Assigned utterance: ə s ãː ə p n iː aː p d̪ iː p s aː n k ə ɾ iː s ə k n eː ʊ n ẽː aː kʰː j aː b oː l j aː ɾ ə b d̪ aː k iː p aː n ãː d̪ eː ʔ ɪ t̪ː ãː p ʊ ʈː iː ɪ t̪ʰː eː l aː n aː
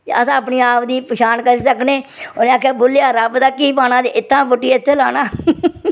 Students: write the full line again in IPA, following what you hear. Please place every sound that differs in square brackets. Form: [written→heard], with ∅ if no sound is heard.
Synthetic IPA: ə s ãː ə p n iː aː p d̪ iː p [s→ʃ] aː n k ə ɾ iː s ə k n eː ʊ n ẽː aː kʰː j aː b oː l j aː ɾ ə b d̪ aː k iː p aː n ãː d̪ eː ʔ ɪ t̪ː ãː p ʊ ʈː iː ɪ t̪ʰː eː l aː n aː